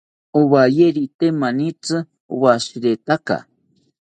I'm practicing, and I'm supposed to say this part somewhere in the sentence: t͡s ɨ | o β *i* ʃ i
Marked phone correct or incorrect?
incorrect